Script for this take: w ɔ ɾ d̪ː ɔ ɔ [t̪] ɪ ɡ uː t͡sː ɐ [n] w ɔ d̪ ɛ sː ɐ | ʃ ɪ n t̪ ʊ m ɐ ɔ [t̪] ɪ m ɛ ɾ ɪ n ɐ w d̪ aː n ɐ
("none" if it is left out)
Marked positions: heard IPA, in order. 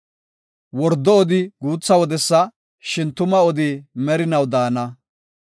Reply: d̪, none, d̪

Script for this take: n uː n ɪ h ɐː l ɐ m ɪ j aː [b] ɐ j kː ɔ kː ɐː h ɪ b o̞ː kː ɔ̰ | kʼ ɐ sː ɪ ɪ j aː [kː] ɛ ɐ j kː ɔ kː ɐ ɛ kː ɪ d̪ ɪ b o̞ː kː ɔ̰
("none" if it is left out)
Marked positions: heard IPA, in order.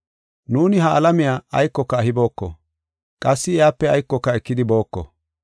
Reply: none, pː

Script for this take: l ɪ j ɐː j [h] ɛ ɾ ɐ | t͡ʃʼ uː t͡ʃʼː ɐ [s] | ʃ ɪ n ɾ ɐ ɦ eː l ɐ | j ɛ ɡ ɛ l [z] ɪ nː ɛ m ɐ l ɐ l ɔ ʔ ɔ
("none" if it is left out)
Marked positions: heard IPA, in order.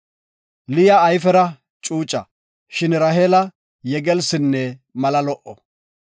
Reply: f, none, s

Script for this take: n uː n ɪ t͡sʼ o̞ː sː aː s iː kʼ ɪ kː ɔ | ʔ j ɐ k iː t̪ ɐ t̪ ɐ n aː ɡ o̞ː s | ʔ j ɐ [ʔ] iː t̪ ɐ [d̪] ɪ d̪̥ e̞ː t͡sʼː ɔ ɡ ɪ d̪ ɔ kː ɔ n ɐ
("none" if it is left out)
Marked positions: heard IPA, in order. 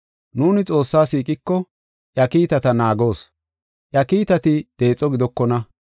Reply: k, t̪

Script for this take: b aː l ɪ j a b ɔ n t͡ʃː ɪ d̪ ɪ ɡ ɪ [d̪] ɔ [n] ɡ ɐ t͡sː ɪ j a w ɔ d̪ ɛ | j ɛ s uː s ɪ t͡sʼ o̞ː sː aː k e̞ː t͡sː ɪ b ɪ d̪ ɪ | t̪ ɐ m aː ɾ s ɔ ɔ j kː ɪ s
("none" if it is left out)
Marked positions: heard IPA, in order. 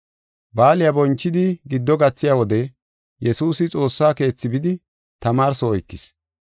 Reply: d̪ː, none

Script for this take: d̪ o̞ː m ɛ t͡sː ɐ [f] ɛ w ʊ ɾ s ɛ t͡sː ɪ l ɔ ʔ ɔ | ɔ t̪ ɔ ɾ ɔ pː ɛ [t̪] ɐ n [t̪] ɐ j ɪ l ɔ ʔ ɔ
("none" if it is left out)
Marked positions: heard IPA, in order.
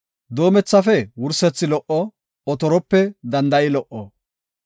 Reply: f, d̪, d̪

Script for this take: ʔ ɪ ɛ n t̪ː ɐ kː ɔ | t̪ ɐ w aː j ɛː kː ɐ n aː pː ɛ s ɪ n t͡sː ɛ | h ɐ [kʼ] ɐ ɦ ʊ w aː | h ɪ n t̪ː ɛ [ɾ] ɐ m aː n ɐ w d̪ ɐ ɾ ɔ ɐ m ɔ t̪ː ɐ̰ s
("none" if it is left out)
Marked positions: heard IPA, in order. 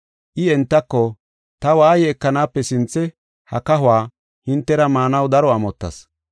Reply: k, ɾ

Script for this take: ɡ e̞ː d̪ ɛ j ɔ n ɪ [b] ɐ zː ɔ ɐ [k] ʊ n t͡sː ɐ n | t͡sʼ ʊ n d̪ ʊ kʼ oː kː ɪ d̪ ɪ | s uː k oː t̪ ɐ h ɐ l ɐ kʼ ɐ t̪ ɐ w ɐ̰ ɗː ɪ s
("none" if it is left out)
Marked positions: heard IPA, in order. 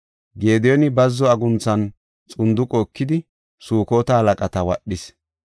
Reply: b, ɡ

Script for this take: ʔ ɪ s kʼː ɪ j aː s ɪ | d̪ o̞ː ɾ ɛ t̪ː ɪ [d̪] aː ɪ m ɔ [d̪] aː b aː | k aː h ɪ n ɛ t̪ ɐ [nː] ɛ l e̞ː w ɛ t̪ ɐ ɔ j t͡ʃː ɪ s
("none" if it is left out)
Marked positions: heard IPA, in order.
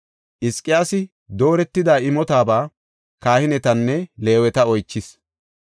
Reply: d̪, t̪, nː

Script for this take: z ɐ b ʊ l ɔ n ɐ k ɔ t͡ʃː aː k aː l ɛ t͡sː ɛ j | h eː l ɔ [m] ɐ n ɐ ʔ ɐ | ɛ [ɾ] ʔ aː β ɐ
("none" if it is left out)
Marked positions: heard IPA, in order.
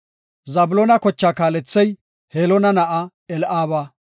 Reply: n, l

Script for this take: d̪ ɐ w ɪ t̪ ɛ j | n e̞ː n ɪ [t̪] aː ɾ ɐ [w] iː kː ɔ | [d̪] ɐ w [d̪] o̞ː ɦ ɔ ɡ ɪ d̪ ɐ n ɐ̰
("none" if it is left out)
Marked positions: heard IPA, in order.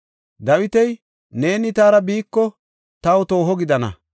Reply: t̪, b, t̪, t̪

